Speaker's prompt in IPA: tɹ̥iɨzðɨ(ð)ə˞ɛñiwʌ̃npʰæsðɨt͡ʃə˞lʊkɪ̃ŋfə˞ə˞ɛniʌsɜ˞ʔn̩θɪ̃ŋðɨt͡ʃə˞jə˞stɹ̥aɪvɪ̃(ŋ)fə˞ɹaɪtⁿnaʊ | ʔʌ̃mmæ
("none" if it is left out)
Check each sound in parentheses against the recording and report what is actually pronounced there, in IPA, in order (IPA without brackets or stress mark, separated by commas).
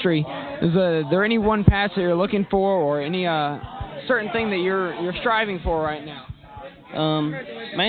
ð, ŋ